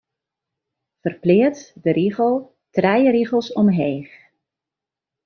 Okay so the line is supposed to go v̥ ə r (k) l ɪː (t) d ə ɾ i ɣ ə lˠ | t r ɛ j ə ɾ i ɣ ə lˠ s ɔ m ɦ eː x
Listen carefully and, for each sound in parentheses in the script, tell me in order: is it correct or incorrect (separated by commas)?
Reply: incorrect, correct